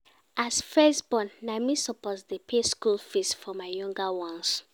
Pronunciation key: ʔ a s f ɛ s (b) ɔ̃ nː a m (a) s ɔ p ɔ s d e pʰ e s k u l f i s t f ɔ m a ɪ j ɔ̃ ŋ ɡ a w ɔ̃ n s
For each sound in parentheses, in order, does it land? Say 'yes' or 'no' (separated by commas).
yes, no